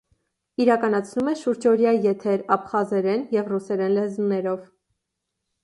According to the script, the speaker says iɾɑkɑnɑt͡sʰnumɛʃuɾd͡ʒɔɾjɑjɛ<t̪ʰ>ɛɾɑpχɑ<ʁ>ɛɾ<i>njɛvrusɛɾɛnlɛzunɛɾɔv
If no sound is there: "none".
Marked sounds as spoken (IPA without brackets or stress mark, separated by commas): t̪ʰ, z, ɛ